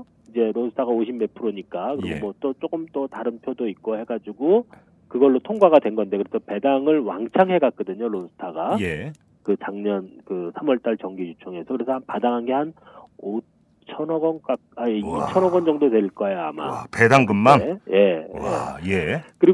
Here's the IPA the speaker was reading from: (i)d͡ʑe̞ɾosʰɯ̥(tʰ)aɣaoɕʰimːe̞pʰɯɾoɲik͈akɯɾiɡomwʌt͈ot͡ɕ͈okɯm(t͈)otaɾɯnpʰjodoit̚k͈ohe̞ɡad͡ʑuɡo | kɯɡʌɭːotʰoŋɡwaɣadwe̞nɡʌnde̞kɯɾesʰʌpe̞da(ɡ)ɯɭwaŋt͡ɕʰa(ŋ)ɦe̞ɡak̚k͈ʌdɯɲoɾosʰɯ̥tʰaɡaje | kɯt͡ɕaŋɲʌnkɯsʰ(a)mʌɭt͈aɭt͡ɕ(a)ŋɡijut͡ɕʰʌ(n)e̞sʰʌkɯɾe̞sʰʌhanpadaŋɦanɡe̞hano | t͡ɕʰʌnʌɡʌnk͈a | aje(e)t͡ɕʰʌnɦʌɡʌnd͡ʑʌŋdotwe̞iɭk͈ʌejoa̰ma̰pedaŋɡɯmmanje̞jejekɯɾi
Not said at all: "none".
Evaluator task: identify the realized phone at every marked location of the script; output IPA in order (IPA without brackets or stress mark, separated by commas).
i, tʰ, t͈, ŋ, ŋ, a, ʌ, ŋ, i